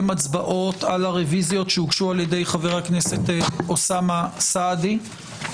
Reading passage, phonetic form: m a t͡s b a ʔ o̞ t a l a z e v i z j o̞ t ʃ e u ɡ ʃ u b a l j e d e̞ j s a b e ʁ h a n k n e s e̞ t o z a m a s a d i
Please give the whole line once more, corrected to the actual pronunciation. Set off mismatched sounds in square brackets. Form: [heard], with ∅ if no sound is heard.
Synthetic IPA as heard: m a t͡s b a ʔ o̞ t a l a [ʁ] e v i z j o̞ t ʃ e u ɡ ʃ u [∅] a l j e d e̞ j [χ] a [v] e ʁ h a [∅] k n e s e̞ t o [s] a m a s a d i